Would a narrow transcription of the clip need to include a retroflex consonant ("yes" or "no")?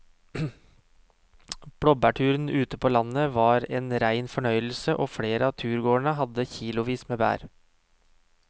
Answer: yes